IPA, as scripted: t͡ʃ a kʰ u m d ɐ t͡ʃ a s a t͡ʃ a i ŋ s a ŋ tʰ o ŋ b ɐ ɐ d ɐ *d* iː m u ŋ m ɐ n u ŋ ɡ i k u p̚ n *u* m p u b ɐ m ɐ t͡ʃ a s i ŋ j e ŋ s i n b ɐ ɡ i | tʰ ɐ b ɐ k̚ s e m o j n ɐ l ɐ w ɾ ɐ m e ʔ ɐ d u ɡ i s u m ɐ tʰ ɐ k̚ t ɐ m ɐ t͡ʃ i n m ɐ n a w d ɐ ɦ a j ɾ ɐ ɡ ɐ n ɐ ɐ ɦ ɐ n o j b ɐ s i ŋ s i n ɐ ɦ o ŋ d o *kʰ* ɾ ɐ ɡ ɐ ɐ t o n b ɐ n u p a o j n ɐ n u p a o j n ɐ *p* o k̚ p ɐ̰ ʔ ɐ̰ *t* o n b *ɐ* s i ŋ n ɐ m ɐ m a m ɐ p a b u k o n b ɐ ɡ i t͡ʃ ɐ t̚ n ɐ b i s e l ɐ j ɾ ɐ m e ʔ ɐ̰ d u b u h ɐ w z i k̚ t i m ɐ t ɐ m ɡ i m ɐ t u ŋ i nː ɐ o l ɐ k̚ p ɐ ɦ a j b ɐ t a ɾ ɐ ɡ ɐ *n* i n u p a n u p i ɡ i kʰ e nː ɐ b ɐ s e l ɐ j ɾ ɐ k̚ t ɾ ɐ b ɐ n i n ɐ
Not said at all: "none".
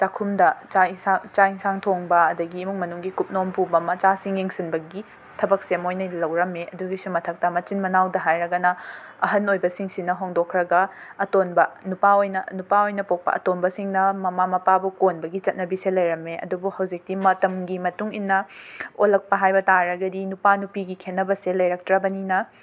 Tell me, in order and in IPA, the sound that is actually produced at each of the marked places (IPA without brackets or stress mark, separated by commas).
ɡ, o, kʰ, p, t, ɐ, d